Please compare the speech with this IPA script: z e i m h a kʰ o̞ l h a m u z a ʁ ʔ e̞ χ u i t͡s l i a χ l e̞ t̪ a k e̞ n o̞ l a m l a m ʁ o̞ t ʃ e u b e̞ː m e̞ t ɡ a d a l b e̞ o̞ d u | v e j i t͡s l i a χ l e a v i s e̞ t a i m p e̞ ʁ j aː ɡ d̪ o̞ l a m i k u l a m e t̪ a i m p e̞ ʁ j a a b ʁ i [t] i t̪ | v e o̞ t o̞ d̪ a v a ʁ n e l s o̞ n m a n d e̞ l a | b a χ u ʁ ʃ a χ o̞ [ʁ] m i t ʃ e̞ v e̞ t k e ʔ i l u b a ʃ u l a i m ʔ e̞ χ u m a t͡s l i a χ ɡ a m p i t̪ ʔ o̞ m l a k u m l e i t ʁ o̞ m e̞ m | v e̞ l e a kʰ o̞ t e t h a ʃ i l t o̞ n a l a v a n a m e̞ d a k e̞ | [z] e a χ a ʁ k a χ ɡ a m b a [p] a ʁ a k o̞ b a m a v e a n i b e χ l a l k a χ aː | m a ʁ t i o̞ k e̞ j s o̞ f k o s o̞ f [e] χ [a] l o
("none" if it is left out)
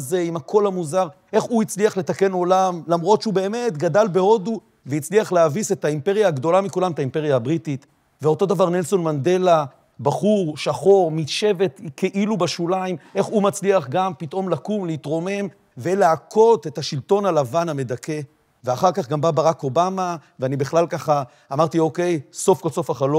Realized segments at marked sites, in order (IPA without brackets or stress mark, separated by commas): t, ʁ, v, b, a, a